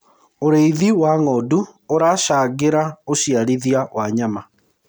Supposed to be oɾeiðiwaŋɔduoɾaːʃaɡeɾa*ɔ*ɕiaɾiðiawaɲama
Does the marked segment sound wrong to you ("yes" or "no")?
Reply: yes